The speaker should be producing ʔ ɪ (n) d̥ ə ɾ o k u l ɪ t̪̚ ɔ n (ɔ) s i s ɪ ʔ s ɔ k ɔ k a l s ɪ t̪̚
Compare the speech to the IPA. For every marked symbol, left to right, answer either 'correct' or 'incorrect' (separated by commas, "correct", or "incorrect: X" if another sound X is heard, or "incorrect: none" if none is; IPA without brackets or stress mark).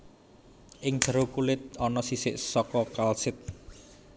incorrect: ŋ, correct